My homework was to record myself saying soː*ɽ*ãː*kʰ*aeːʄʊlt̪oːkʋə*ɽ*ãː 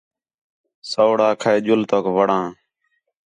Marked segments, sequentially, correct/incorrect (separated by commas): correct, correct, correct